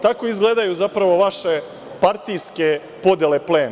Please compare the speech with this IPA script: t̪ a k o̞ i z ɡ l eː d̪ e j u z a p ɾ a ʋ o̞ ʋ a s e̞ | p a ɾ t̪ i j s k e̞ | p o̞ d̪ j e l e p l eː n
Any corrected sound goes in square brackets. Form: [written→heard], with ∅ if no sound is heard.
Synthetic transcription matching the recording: t̪ a k o̞ i z ɡ l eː d̪ [e→a] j u z a p ɾ a ʋ o̞ ʋ a [s→ʃ] e̞ | p a ɾ t̪ i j s k e̞ | p o̞ d̪ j e l e p l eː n